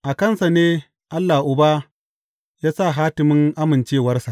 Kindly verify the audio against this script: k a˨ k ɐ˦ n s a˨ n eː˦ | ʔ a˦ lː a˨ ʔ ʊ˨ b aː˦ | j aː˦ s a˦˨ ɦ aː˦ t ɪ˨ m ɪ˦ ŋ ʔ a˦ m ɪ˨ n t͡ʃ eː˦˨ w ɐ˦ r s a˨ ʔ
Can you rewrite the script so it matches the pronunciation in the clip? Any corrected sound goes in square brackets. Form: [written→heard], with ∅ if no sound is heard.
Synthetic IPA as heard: [k→ʔ] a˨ k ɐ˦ n s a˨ n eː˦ | ʔ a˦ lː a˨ ʔ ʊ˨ b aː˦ | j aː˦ s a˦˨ ɦ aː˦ t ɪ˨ m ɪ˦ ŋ ʔ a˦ m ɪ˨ n t͡ʃ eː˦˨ w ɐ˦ r s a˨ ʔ